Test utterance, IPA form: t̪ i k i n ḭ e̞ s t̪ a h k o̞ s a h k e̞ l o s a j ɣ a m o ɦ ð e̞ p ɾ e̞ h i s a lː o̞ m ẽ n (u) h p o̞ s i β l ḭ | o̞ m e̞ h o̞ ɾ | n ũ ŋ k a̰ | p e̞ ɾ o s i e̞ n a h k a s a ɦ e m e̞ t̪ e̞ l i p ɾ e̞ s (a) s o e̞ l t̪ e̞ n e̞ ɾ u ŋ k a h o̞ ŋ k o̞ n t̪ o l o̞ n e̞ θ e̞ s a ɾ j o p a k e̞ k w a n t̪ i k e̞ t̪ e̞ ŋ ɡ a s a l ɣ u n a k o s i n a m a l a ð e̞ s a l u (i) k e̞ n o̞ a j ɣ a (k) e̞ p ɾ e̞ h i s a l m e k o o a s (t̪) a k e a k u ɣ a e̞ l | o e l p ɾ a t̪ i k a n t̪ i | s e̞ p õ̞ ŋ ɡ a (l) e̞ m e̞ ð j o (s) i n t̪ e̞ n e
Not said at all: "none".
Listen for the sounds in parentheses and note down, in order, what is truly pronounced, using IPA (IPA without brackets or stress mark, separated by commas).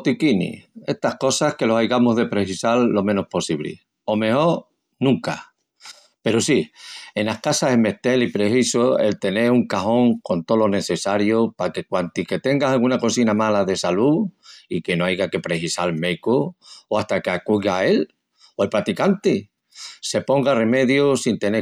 o, i, i, k, t̪, r, s